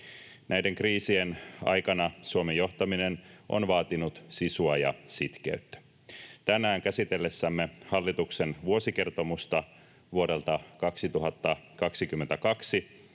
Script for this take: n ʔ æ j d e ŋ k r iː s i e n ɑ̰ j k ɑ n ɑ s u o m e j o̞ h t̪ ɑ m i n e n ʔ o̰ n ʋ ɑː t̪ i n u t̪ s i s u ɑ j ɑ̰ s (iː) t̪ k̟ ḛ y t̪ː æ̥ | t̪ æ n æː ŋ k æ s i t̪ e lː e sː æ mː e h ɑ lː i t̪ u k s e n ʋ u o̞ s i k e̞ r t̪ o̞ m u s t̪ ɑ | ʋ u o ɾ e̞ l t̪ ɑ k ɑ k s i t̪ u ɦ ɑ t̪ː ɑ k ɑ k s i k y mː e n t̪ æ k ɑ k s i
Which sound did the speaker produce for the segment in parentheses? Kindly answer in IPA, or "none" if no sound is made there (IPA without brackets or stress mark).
i